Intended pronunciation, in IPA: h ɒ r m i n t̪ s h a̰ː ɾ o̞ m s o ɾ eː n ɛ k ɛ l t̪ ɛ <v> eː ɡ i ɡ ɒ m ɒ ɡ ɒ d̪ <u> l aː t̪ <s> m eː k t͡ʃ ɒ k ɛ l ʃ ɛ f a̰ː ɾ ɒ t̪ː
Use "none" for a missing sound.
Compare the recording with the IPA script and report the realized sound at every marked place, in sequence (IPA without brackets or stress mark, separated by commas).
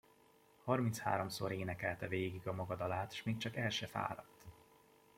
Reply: v, ɒ, ʃ